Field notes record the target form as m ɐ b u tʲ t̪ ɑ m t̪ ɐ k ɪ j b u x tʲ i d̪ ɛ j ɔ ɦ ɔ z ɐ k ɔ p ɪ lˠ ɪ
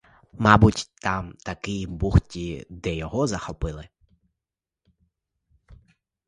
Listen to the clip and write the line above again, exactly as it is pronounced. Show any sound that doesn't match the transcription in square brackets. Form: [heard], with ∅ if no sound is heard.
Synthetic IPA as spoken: m [ɑ] b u tʲ t̪ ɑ m t̪ ɐ k ɪ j b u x tʲ i d̪ ɛ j ɔ ɦ ɔ z ɐ [x] ɔ p ɪ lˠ ɪ